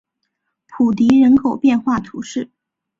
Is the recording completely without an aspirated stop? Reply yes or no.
no